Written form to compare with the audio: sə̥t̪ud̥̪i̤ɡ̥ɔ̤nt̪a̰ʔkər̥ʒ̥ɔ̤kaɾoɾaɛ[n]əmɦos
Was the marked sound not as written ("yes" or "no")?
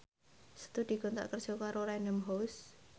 no